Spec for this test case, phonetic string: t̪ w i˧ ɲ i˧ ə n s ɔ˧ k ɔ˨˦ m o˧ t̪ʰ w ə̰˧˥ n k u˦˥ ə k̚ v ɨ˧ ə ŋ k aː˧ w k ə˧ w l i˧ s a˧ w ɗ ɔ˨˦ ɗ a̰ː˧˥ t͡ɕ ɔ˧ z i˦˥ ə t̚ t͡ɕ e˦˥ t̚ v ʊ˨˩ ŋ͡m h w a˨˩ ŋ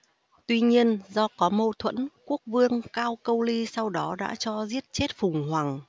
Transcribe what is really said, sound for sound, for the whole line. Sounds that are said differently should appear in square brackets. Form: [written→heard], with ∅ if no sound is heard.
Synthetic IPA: t̪ w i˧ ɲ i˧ ə n [s→z] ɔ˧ k ɔ˨˦ m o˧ t̪ʰ w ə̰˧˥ n k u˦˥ ə k̚ v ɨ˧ ə ŋ k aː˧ w k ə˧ w l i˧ s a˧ w ɗ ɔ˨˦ ɗ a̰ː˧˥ t͡ɕ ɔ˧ z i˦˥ ə t̚ t͡ɕ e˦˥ t̚ [v→f] ʊ˨˩ ŋ͡m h w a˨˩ ŋ

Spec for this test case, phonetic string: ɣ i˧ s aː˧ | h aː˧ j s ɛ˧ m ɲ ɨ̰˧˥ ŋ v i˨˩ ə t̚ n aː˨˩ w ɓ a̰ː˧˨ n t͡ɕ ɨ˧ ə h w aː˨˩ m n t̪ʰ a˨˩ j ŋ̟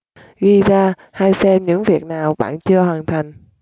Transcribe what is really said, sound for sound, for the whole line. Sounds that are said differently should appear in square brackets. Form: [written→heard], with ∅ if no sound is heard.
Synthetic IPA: ɣ i˧ [s→z] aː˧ | h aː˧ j s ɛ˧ m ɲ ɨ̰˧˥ ŋ v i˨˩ ə [t̚→k̚] n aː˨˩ w ɓ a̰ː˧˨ n t͡ɕ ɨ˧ ə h w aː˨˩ [m→∅] n t̪ʰ a˨˩ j ŋ̟

